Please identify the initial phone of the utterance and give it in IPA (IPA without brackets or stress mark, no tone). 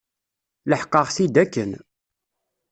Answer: l